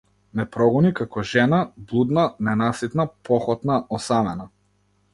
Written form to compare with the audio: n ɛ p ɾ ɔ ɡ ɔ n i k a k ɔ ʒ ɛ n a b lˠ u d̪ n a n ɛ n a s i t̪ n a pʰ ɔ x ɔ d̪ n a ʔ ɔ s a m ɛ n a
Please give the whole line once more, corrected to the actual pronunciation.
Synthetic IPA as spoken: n ɛ p ɾ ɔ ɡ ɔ n i k a k ɔ ʒ ɛ n a b lˠ u d̪ n a n ɛ n a s i t̪ n a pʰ ɔ x ɔ t̪ n a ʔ ɔ s a m ɛ n a